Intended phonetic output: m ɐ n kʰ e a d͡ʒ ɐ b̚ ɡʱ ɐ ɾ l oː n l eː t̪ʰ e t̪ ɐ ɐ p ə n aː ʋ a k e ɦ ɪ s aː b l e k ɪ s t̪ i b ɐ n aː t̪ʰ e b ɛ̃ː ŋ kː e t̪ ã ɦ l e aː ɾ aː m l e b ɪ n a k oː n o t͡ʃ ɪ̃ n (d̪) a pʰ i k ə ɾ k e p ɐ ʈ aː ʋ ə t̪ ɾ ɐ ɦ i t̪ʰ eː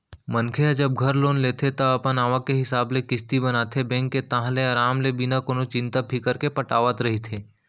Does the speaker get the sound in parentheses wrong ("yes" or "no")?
yes